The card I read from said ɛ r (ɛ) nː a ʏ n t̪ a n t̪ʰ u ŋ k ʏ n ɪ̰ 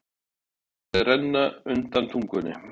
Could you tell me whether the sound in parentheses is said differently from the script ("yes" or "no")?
no